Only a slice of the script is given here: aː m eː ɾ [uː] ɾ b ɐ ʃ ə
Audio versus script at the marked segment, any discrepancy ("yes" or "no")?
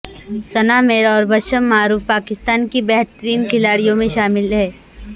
yes